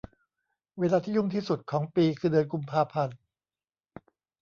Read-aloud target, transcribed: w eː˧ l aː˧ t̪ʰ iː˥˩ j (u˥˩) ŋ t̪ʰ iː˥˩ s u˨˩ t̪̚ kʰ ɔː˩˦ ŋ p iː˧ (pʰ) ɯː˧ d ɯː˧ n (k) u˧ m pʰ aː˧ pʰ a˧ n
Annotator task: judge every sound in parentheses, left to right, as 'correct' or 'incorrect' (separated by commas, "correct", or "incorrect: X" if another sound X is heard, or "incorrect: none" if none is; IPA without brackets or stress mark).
correct, incorrect: kʰ, correct